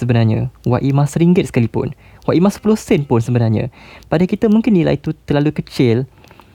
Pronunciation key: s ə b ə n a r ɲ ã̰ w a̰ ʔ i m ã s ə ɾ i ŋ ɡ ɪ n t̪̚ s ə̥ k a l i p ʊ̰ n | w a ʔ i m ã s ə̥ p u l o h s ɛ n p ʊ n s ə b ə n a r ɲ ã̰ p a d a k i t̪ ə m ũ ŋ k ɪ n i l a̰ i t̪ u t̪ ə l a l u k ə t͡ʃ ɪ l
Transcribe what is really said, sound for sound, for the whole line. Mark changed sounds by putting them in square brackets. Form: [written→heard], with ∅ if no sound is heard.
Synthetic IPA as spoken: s ə b ə n a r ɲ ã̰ w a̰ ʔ i m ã s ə ɾ i ŋ ɡ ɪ [n→∅] t̪̚ s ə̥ k a l i p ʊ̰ n | w a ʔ i m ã s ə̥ p u l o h s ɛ n p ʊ n s ə b ə n a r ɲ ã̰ p a d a k i t̪ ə m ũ ŋ k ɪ n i l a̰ i t̪ u t̪ ə l a l u k ə t͡ʃ ɪ l